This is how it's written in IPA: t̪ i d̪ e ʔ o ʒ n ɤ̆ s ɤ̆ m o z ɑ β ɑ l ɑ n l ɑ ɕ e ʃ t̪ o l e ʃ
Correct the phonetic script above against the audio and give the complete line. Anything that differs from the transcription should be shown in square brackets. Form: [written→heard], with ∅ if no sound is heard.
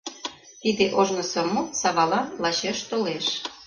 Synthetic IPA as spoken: t̪ i d̪ e ʔ o ʒ n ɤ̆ s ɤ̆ m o [z→s] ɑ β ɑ l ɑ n l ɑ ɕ e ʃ t̪ o l e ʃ